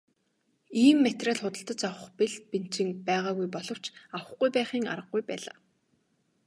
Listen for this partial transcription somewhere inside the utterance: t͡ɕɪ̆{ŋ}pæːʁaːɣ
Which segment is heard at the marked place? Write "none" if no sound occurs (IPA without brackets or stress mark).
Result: ŋ